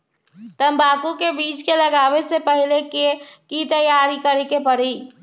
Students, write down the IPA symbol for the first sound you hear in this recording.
t̪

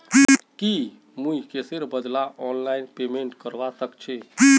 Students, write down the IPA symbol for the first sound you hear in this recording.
k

